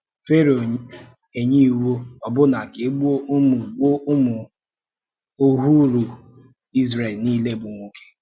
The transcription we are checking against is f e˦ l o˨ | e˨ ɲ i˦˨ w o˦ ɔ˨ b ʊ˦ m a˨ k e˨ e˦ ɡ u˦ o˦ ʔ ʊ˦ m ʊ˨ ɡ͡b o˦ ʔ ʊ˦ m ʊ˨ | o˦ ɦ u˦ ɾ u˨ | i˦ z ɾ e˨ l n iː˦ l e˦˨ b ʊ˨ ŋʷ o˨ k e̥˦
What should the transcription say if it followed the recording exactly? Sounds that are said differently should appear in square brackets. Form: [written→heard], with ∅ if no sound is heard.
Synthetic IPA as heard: f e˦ [l→ɾ] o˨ | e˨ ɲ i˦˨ w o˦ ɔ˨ b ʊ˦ [m→n] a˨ k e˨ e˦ [ɡ→ɡ͡b] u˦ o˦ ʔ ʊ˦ m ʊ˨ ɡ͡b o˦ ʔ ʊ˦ m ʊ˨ | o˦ ɦ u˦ ɾ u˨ | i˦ z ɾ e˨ l n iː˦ l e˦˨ b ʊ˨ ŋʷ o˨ k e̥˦